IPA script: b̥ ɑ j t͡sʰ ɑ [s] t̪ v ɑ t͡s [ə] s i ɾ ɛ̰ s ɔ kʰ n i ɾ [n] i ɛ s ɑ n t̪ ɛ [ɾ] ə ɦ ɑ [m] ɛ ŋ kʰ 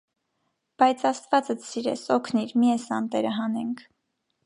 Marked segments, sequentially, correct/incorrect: correct, correct, incorrect, correct, incorrect

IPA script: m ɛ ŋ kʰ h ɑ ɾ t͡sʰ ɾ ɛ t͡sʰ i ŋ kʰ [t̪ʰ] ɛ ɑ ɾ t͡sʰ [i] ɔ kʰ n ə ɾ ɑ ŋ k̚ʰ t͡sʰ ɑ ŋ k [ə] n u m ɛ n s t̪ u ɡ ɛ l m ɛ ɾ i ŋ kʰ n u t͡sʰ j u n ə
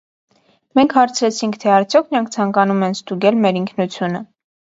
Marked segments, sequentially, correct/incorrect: correct, incorrect, incorrect

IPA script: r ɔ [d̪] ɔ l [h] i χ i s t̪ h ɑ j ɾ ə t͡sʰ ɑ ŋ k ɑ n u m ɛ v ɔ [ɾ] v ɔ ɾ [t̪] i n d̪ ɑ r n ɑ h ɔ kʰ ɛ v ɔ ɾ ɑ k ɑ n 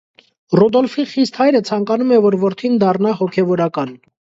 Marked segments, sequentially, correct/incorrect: correct, incorrect, correct, incorrect

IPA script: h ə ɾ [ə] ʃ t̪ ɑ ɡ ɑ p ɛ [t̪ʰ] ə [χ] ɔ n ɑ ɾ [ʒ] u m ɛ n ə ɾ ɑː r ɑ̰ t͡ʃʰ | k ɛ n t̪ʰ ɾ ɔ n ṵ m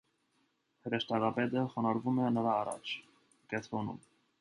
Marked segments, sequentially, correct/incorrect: correct, incorrect, correct, incorrect

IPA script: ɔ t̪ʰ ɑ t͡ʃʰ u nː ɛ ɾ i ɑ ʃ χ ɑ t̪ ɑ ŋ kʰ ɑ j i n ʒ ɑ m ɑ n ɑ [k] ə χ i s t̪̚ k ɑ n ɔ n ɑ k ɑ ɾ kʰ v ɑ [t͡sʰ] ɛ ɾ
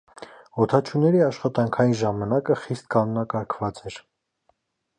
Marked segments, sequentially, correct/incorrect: correct, incorrect

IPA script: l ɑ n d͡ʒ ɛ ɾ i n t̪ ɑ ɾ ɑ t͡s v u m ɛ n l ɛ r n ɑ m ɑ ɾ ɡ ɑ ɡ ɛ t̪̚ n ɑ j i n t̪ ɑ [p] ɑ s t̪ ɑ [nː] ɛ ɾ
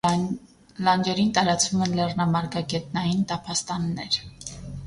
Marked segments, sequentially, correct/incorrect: incorrect, correct

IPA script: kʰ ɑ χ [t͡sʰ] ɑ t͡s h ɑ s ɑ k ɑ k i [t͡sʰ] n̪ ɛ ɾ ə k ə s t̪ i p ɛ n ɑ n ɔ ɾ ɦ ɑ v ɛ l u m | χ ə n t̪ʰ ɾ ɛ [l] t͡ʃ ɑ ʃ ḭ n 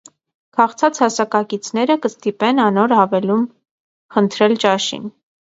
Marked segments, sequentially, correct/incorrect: correct, correct, correct

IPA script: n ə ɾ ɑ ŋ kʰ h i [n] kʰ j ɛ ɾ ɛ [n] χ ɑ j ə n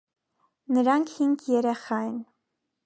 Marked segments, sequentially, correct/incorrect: incorrect, incorrect

